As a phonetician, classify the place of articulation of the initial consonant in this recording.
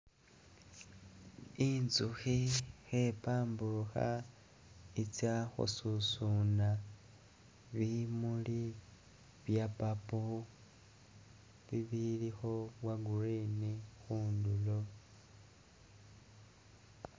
alveolar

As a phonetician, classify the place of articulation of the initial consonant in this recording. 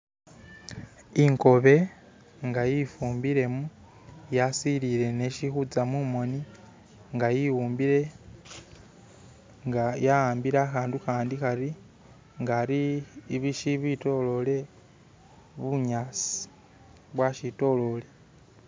velar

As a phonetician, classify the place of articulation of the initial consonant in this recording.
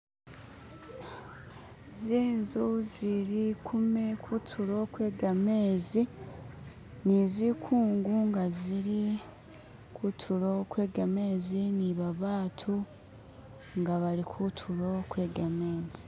alveolar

